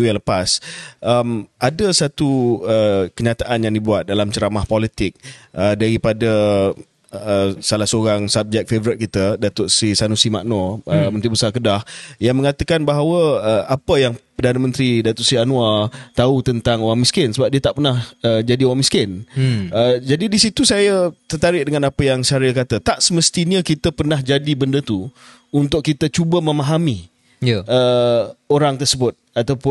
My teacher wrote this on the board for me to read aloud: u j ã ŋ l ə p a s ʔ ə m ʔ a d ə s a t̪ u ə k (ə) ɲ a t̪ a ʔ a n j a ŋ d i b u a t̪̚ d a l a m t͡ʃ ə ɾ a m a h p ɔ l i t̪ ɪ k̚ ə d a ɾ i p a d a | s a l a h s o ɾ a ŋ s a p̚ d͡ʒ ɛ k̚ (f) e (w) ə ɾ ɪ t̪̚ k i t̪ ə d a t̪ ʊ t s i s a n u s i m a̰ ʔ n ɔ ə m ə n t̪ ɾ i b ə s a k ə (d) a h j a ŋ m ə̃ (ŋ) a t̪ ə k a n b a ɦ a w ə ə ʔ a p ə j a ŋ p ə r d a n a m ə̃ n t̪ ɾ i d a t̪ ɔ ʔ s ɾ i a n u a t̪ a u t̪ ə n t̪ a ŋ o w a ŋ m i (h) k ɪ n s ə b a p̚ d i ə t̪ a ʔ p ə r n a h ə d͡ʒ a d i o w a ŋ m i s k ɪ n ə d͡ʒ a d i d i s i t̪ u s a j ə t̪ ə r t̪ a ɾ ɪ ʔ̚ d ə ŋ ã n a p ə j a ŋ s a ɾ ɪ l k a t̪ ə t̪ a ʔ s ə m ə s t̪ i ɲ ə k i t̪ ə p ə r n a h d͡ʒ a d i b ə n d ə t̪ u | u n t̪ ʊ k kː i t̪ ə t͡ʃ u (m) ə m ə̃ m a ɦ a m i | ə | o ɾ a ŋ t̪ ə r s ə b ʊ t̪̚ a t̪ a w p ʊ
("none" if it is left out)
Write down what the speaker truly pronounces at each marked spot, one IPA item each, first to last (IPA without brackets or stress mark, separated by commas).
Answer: ə, f, v, d, ŋ, s, b